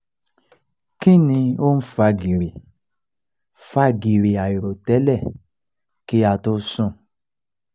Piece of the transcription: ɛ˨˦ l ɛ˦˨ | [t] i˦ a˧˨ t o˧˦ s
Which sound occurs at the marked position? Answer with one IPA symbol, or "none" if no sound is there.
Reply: k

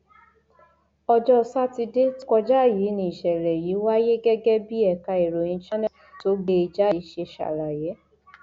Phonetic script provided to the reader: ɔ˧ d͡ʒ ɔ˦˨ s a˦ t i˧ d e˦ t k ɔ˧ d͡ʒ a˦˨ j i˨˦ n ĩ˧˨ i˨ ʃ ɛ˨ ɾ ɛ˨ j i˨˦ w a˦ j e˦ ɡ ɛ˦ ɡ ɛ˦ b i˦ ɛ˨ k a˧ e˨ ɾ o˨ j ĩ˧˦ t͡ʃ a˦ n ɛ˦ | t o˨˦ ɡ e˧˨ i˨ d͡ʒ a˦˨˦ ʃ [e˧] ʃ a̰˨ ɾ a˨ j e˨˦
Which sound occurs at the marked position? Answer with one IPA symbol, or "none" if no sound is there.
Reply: e˧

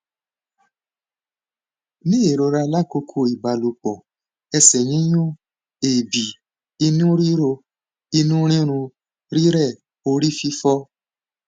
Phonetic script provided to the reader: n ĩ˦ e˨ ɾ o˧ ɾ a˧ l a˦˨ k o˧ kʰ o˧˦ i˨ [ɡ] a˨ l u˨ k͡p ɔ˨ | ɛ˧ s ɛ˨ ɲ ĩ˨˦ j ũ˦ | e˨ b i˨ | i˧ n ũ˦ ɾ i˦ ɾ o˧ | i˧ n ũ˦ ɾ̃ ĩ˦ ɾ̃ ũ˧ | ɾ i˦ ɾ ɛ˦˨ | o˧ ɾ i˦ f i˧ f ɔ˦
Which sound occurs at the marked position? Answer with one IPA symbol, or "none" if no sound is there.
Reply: b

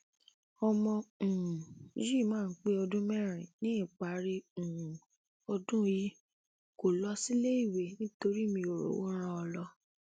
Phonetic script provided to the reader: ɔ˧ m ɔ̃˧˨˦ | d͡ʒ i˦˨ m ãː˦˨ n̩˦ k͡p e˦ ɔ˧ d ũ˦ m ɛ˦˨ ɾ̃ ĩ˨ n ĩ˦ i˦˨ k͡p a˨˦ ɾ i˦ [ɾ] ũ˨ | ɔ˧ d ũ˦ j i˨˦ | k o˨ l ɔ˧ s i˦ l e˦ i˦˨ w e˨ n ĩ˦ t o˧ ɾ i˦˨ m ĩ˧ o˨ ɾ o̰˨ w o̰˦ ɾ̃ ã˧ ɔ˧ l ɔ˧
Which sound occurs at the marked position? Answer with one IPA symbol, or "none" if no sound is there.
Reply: none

